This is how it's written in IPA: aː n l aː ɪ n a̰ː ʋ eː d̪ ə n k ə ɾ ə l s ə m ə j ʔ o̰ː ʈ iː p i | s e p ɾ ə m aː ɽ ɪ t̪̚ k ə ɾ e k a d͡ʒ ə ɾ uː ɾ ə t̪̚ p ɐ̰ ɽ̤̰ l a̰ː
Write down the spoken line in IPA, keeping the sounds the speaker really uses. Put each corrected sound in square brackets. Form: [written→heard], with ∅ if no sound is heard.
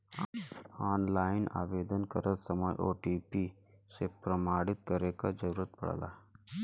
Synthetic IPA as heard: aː n l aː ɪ n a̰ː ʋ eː d̪ ə n k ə ɾ ə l s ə m ə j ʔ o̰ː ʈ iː p i | s e p ɾ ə m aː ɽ ɪ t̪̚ k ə ɾ e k a d͡ʒ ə ɾ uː ɾ ə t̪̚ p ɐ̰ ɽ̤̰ l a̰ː